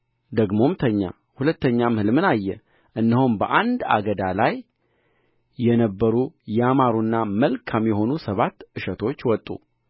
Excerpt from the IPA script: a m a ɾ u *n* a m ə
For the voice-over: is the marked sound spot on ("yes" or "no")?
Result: no